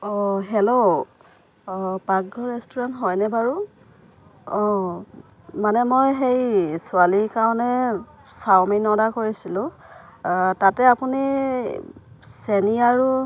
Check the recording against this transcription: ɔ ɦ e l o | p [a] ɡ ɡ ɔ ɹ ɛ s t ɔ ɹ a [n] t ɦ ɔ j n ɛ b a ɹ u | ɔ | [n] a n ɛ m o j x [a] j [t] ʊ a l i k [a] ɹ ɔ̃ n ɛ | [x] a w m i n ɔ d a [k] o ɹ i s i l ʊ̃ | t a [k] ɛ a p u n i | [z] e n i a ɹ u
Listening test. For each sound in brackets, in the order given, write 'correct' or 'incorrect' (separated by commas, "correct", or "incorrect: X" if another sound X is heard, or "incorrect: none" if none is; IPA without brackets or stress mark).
correct, correct, incorrect: m, incorrect: e, incorrect: s, correct, incorrect: s, correct, incorrect: t, incorrect: s